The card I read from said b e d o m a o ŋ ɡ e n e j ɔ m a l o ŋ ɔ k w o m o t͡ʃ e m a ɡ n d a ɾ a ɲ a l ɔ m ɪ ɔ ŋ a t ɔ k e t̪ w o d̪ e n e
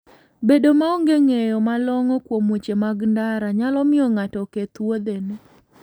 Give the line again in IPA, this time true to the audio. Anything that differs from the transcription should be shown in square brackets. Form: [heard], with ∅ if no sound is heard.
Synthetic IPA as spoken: b e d o m a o ŋ ɡ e [ŋ] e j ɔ m a l [ɔ] ŋ ɔ k w o m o t͡ʃ e m a ɡ n d a ɾ a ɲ a l ɔ m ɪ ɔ ŋ a t ɔ k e t̪ w o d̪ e n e